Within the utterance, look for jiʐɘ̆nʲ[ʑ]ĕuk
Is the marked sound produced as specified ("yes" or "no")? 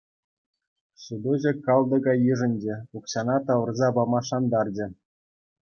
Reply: no